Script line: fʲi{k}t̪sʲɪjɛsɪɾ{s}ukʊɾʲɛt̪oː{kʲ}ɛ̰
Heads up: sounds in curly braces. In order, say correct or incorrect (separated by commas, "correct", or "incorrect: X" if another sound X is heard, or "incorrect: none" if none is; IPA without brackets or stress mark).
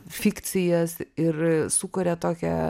correct, correct, correct